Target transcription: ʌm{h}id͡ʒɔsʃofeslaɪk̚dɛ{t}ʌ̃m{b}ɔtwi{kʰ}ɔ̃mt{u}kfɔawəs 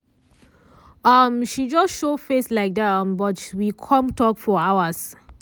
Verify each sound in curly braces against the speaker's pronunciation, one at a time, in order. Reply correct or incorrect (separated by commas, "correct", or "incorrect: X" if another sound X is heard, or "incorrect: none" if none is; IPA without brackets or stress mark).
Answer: incorrect: ʃ, correct, correct, correct, incorrect: ɔ